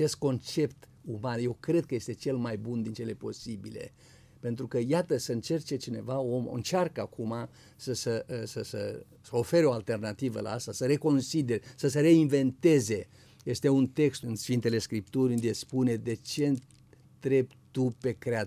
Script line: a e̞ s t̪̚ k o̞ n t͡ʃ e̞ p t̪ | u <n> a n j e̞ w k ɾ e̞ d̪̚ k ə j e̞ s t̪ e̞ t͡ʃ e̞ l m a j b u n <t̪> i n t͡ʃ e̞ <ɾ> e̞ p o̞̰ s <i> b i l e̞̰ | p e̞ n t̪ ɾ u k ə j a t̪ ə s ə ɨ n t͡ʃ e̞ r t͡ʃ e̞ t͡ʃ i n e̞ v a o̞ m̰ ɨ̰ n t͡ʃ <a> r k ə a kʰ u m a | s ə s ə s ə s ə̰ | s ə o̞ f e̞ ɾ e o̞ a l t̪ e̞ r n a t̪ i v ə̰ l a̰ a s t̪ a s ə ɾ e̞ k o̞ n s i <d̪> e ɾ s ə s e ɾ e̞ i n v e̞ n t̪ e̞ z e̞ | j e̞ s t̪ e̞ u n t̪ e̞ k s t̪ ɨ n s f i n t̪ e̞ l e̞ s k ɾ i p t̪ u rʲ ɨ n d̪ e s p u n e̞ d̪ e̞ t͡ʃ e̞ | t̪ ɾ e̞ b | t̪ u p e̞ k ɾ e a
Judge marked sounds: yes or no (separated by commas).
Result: no, no, no, yes, yes, yes